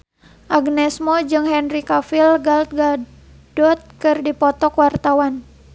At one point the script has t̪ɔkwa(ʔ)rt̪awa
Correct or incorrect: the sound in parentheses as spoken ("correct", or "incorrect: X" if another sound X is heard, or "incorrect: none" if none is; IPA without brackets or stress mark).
incorrect: none